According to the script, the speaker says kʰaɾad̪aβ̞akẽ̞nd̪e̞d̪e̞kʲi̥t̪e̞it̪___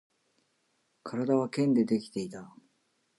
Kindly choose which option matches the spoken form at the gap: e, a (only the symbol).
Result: a